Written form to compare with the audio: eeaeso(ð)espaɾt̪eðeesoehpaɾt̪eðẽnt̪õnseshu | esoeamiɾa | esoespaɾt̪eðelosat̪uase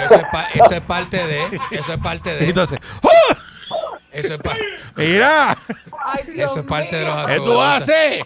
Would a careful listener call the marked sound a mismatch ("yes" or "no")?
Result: yes